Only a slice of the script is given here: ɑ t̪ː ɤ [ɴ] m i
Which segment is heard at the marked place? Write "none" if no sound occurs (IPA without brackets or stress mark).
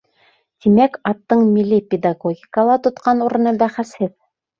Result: ɴ